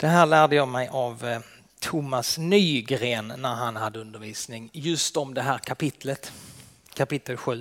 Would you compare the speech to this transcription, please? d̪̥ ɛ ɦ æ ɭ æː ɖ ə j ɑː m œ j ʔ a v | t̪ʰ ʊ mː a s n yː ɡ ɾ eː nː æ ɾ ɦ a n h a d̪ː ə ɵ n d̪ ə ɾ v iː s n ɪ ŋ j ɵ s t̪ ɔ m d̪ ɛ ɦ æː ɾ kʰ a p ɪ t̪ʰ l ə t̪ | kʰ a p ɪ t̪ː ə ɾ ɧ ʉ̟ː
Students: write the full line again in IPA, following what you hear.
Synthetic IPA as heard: d̪̥ ɛ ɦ æː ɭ æː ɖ ə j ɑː m ɛ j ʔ a v | t̪ʰ ʊ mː a s n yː ɡ ɾ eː nː æ ɾ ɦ a n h a d̪ː ə ɵ n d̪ ə ɾ v iː s n ɪ ŋ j ɵ s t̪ ɔ m d̪ ɛ ɦ æː ɾ kʰ a p ɪ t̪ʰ l ə t̪ | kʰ a p ɪ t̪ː ə l ɧ ʉ̟ː